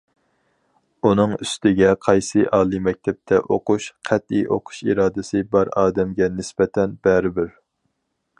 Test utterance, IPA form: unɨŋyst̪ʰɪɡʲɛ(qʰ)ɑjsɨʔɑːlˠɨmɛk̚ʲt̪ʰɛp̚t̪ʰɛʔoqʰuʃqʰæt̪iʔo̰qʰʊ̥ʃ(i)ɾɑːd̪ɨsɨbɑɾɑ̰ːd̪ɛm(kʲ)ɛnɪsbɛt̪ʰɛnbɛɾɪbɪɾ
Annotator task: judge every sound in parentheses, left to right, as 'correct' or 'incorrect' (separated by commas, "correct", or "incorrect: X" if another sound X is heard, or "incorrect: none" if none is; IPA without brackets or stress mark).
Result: correct, correct, incorrect: ɡʲ